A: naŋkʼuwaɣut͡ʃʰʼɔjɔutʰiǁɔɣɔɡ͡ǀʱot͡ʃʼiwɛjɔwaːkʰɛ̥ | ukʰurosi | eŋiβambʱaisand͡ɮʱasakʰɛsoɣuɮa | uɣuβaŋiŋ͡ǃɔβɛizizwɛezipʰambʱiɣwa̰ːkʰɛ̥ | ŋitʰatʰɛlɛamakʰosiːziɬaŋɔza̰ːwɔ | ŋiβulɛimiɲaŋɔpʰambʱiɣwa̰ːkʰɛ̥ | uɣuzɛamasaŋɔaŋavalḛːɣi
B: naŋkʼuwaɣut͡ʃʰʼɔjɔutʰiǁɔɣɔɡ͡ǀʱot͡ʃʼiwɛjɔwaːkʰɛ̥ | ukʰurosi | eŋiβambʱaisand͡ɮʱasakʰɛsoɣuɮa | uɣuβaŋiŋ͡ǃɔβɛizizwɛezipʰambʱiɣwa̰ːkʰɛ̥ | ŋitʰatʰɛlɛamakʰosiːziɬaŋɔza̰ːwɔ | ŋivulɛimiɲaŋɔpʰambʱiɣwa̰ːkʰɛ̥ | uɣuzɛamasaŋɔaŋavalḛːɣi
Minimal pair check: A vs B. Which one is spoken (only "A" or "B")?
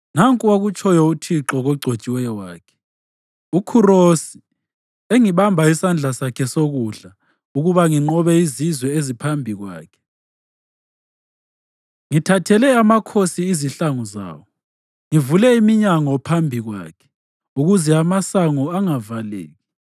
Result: B